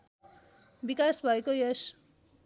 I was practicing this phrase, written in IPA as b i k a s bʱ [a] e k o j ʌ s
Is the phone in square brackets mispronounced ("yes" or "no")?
yes